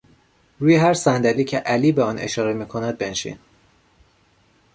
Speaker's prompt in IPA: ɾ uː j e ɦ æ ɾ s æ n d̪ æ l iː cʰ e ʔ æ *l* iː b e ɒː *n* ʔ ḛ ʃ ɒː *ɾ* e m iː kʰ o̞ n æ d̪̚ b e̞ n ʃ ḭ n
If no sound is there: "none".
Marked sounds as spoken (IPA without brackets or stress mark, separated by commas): l, n, ɾ